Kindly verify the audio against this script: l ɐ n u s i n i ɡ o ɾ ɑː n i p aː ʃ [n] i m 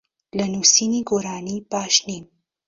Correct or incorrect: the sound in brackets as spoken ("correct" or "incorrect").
correct